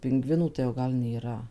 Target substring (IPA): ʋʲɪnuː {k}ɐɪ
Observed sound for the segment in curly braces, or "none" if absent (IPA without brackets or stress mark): t